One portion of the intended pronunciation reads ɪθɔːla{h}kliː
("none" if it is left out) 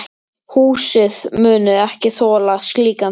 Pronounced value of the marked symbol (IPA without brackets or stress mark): s